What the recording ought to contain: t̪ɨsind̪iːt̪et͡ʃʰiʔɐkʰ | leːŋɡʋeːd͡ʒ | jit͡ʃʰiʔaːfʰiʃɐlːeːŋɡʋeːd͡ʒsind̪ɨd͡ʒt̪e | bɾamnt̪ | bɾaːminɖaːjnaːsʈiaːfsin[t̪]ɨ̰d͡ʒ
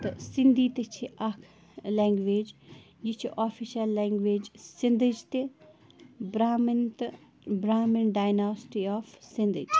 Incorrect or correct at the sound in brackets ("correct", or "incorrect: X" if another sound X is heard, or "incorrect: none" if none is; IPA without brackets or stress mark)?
incorrect: d̪